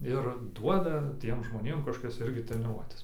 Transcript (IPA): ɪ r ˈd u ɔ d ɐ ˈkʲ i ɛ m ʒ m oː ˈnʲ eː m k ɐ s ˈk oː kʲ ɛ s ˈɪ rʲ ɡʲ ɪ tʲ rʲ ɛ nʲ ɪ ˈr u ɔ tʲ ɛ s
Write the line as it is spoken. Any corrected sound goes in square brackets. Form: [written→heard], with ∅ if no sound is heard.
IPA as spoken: ɪ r ˈd u ɔ d ɐ [ˈkʲ→ˈtʲ] i ɛ m ʒ m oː ˈnʲ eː m k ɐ [s→ʃ] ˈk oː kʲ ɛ s ˈɪ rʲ ɡʲ ɪ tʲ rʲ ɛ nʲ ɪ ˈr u ɔ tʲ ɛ s